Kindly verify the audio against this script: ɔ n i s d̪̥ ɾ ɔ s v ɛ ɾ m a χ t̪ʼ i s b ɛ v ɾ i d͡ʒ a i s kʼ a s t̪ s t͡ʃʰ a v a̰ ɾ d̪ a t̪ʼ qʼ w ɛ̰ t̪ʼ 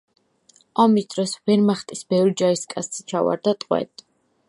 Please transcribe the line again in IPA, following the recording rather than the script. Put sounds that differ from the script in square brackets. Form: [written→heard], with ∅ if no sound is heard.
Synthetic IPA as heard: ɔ [n→m] i s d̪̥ ɾ ɔ s v ɛ ɾ m a χ t̪ʼ i s b ɛ v ɾ i d͡ʒ a i s kʼ a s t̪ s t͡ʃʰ a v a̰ ɾ d̪ a t̪ʼ qʼ w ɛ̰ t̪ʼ

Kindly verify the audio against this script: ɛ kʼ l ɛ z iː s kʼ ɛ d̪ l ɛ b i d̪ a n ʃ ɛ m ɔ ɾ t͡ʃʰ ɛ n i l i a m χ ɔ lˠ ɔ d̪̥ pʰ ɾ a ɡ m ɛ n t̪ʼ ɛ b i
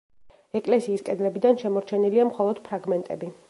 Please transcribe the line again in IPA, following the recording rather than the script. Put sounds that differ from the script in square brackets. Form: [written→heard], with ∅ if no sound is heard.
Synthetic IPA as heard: ɛ kʼ l ɛ [z→s] iː s kʼ ɛ d̪ l ɛ b i d̪ a n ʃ ɛ m ɔ ɾ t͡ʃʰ ɛ n i l i a m χ ɔ lˠ ɔ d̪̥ pʰ ɾ a ɡ m ɛ n t̪ʼ ɛ b i

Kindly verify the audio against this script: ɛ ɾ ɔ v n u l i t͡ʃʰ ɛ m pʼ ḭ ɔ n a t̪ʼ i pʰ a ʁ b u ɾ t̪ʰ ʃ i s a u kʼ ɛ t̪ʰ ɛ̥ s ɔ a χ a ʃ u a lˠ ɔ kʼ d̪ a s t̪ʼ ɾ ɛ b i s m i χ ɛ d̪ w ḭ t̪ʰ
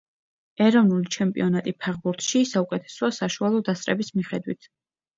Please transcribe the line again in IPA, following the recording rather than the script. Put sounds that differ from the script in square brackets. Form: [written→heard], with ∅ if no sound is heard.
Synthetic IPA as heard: ɛ ɾ ɔ v n u l i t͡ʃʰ ɛ m pʼ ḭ ɔ n a t̪ʼ i pʰ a ʁ b u ɾ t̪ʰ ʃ i s a u kʼ ɛ t̪ʰ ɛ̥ s ɔ a [χ→s] a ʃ u a lˠ ɔ [kʼ→∅] d̪ a s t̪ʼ ɾ ɛ b i s m i χ ɛ d̪ w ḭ t̪ʰ

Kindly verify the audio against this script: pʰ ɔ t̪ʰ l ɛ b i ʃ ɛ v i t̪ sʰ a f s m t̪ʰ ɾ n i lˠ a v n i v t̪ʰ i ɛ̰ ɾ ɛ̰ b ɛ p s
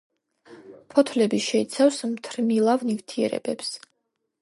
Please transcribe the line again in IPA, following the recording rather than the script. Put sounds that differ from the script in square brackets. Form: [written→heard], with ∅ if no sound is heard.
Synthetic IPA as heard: pʰ ɔ t̪ʰ l ɛ b i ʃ ɛ [v→∅] i t̪ sʰ a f s m t̪ʰ ɾ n i lˠ a v n i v t̪ʰ i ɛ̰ ɾ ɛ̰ b ɛ p s

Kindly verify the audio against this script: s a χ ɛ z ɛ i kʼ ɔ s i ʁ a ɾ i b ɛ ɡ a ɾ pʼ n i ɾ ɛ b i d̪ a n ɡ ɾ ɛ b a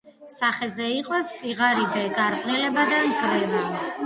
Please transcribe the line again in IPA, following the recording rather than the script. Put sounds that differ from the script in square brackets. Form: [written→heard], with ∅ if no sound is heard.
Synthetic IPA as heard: s a χ ɛ z ɛ i [kʼ→qʼ] ɔ s i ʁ a ɾ i b ɛ ɡ a ɾ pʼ n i [ɾ→l] ɛ b [i→a] d̪ a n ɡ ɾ ɛ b a

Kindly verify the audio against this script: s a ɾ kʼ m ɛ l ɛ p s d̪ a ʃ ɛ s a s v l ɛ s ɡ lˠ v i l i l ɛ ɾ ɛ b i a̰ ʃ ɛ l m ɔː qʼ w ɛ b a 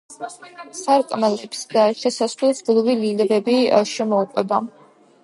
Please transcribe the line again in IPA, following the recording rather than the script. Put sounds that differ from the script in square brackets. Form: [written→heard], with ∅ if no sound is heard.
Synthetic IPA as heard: s a ɾ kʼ m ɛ l ɛ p s d̪ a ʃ ɛ s a s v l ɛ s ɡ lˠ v i l i l ɛ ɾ ɛ b i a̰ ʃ ɛ [l→∅] m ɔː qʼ w ɛ b a

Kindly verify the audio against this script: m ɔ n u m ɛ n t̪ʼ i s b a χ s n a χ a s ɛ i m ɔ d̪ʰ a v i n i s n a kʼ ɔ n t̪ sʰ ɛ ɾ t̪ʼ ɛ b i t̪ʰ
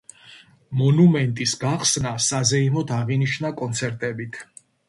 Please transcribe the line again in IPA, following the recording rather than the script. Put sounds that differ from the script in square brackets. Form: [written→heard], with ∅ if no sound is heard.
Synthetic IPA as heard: m ɔ n u m ɛ n t̪ʼ i s [b→ɡ] a χ s n a [χ→s] a [s→z] ɛ i m ɔ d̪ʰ a [v→ʁ] i n i [s→ʃ] n a kʼ ɔ n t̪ sʰ ɛ ɾ t̪ʼ ɛ b i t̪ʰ

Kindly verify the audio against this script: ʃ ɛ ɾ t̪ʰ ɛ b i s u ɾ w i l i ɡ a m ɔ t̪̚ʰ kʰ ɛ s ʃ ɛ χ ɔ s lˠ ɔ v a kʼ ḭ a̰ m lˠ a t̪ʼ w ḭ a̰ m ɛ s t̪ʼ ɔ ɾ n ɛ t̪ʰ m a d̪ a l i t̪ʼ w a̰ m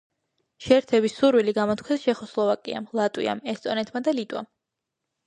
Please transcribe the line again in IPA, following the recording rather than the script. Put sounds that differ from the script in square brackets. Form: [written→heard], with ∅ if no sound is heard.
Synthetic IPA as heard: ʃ ɛ ɾ t̪ʰ ɛ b i s u ɾ w i l i ɡ a m ɔ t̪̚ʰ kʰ ɛ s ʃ ɛ χ ɔ s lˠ ɔ v a kʼ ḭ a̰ m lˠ a t̪ʼ w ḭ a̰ m ɛ s t̪ʼ ɔ [ɾ→∅] n ɛ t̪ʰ m a d̪ a l i t̪ʼ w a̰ m

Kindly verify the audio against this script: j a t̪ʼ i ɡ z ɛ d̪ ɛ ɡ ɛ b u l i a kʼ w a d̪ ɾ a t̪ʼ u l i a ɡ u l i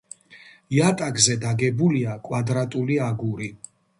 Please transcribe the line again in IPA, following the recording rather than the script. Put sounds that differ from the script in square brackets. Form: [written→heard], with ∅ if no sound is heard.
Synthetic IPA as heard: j a t̪ʼ [i→a] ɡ z ɛ d̪ [ɛ→a] ɡ ɛ b u l i a kʼ w a d̪ ɾ a t̪ʼ u l i a ɡ u [l→ɾ] i

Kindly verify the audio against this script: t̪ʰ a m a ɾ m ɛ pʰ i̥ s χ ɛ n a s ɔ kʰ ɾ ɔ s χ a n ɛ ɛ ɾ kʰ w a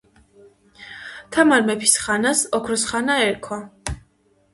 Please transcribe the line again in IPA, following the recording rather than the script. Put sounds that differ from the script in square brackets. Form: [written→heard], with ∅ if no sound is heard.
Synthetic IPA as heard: t̪ʰ a m a ɾ m ɛ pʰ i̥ s χ [ɛ→a] n a s ɔ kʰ ɾ ɔ s χ a n [ɛ→a] ɛ ɾ kʰ w a

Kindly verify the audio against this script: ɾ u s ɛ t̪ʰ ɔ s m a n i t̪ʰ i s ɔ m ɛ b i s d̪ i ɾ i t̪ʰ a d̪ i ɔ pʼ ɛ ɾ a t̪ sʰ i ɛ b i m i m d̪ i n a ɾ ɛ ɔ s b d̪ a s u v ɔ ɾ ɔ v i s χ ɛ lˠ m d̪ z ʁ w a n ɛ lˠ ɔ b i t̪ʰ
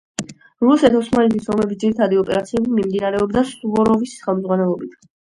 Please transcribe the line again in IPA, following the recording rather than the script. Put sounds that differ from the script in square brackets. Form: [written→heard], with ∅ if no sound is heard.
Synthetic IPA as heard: ɾ u s ɛ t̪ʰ ɔ s m a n i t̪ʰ i s ɔ m ɛ b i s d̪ i ɾ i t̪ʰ a d̪ i ɔ pʼ ɛ ɾ a t̪ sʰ i ɛ b i m i m d̪ i n a ɾ ɛ ɔ [s→∅] b d̪ a s u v ɔ ɾ ɔ v i s χ ɛ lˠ m d̪ z ʁ w a n ɛ lˠ ɔ b i t̪ʰ

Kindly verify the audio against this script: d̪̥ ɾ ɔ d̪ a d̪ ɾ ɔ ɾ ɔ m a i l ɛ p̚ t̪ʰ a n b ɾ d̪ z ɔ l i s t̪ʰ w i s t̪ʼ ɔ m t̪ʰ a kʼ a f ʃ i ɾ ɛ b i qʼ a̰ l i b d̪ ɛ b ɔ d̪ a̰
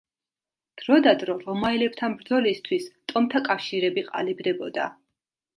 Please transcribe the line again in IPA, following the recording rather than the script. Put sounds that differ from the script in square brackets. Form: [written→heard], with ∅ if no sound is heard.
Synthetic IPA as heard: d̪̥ ɾ ɔ d̪ a d̪ ɾ ɔ ɾ ɔ m a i l ɛ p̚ t̪ʰ a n b ɾ d̪ z ɔ l i s t̪ʰ w i s t̪ʼ ɔ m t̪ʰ a kʼ a f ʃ i ɾ ɛ b i qʼ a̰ l i b d̪ ɛ b ɔ d̪ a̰

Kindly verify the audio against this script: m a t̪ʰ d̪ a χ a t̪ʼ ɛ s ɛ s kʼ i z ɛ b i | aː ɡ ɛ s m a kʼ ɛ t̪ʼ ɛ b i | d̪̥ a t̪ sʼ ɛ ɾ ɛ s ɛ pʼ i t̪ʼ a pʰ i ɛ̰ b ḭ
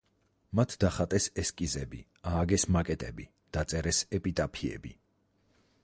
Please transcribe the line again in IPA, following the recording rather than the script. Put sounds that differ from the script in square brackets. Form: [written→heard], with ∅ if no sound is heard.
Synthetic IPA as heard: m a t̪ʰ d̪ a χ a t̪ʼ ɛ s ɛ s kʼ i z ɛ b i | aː ɡ ɛ s m a kʼ ɛ t̪ʼ ɛ b i | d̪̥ a t̪ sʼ ɛ ɾ ɛ s ɛ pʼ i t̪ʼ a pʰ i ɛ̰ b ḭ

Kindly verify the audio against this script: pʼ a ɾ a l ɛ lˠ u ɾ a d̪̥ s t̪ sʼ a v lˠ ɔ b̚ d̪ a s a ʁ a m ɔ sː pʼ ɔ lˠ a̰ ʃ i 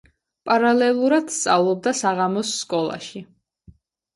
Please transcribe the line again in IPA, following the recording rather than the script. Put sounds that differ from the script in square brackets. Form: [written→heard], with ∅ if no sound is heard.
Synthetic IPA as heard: pʼ a ɾ a l ɛ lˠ u ɾ a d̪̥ s t̪ sʼ a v lˠ ɔ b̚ d̪ a s a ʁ a m ɔ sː [pʼ→kʼ] ɔ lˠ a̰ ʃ i

